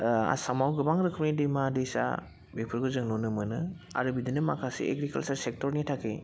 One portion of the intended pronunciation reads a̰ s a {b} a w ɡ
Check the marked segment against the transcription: incorrect: m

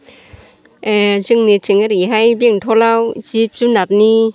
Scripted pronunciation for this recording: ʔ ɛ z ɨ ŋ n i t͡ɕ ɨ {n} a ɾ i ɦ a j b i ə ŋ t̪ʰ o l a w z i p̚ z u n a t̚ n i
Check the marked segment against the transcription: incorrect: ŋ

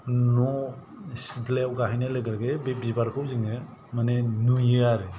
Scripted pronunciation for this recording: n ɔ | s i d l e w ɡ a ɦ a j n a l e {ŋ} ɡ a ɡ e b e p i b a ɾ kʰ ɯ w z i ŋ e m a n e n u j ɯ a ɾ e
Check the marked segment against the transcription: incorrect: none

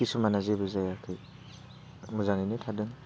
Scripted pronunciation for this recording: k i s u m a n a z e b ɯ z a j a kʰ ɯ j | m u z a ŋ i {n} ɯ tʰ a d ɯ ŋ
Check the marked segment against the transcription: correct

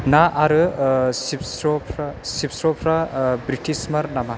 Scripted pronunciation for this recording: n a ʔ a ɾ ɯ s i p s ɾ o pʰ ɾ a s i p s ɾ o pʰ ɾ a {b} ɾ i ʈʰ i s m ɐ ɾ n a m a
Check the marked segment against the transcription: correct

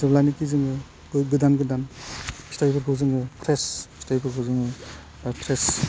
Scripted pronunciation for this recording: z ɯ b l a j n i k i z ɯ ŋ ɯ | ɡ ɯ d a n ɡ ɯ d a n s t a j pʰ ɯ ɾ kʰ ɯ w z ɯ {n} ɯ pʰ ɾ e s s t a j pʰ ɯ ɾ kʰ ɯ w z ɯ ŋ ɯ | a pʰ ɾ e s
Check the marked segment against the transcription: incorrect: ŋ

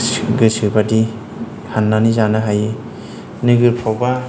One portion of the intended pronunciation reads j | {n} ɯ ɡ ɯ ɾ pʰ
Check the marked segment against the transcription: correct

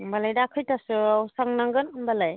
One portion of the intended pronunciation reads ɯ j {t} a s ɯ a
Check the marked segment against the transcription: correct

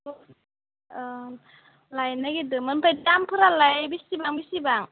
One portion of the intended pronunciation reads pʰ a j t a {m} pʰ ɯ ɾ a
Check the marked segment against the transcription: correct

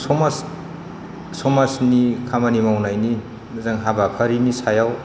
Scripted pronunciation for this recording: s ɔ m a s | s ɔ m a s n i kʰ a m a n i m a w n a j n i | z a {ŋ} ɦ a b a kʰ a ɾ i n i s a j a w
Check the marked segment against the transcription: correct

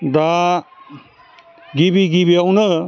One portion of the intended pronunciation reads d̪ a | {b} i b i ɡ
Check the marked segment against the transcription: incorrect: ɡ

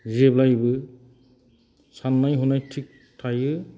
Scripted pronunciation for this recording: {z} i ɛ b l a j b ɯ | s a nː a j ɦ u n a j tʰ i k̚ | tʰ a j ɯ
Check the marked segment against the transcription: correct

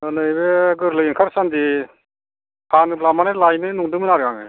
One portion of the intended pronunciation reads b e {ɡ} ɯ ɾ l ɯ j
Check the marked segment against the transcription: correct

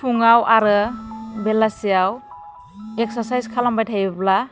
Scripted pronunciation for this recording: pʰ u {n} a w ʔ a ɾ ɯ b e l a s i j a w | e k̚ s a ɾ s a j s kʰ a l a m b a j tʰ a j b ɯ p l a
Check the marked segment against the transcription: incorrect: ŋ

